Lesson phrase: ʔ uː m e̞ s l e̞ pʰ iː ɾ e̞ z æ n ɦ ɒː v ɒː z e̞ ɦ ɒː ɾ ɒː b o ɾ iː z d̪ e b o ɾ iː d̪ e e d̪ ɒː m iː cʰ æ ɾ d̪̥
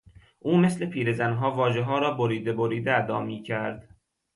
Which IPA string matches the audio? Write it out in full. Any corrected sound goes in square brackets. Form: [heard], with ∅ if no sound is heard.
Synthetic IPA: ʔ uː m e̞ s l e̞ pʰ iː ɾ e̞ z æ n ɦ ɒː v ɒː [ʒ] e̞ ɦ ɒː ɾ ɒː b o ɾ iː [∅] d̪ e b o ɾ iː d̪ e [æ] d̪ ɒː m iː cʰ æ ɾ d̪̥